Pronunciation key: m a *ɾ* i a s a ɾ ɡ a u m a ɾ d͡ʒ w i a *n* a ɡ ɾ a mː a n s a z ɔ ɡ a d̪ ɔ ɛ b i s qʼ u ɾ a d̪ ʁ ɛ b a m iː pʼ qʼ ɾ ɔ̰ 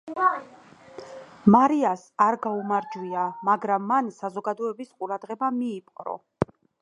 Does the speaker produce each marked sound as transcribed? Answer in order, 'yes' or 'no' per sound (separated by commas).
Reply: yes, no